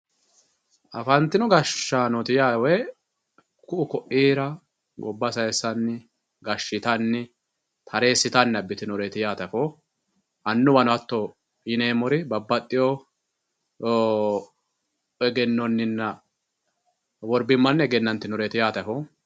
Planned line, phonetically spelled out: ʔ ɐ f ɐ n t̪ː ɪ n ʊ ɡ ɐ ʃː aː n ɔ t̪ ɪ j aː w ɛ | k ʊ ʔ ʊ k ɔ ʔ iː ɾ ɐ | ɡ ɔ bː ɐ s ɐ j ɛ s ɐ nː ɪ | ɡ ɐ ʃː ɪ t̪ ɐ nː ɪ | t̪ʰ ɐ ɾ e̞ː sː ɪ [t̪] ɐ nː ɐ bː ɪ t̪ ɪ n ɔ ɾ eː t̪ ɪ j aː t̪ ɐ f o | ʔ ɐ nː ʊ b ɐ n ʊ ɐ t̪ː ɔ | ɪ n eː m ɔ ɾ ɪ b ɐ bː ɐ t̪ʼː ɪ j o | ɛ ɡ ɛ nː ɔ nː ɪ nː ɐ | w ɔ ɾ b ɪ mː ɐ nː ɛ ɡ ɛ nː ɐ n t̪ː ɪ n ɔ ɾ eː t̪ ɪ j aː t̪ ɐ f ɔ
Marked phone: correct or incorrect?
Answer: correct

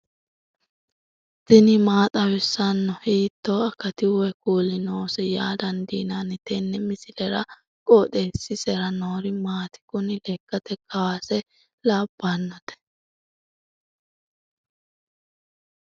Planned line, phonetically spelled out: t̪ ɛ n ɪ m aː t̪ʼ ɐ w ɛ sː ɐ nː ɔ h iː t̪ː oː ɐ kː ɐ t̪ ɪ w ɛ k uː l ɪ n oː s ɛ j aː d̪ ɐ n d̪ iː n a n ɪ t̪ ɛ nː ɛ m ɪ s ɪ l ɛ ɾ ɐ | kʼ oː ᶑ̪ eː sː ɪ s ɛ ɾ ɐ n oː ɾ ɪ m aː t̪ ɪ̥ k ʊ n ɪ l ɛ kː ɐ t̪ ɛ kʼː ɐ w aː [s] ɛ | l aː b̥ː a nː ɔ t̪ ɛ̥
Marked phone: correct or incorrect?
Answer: correct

